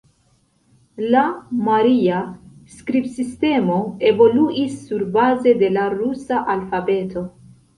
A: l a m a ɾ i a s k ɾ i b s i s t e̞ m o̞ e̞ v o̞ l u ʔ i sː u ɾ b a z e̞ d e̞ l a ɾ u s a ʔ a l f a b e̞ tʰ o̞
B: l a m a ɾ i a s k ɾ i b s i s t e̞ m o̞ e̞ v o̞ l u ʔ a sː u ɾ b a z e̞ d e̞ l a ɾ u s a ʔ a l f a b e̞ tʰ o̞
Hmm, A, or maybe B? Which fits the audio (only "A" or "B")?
A